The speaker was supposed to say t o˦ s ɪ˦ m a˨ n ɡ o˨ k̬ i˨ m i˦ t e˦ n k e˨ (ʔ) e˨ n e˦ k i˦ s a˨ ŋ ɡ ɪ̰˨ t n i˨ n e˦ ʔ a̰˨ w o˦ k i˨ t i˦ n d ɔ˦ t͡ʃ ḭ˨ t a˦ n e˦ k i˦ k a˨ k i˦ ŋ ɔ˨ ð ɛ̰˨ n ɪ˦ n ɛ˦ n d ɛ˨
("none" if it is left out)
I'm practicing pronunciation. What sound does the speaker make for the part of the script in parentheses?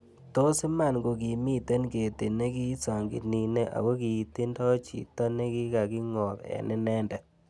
t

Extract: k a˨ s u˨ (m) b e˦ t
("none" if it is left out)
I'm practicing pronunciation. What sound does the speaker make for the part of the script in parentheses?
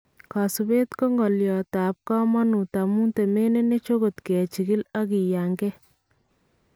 none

